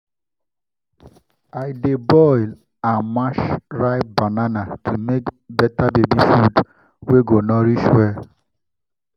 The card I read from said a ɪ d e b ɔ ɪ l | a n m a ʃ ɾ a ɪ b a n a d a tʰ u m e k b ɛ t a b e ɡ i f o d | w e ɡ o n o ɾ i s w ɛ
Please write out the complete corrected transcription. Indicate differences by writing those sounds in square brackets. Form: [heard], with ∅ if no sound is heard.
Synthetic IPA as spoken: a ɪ d e b ɔ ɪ l | a n m a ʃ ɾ a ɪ b a n a [n] a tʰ u m e k b ɛ t a b e [b] i f [u] d | w e ɡ o n [ɔ] ɾ i [ʃ] w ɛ